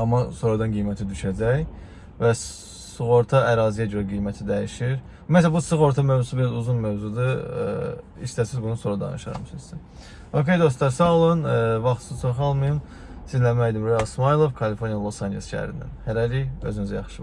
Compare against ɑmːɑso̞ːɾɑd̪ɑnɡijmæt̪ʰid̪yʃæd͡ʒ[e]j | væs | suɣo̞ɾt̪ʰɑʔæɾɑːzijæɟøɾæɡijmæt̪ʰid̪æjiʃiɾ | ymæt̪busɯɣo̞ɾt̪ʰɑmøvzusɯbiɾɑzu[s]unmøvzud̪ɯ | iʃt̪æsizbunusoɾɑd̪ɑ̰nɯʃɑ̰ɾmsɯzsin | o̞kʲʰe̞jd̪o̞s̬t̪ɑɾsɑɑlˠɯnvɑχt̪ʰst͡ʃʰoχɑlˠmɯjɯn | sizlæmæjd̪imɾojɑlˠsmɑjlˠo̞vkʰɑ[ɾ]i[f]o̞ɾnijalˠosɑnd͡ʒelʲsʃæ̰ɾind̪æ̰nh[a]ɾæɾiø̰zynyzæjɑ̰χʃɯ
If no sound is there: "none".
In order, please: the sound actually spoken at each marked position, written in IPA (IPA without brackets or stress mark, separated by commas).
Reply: æ, z, l, f, æ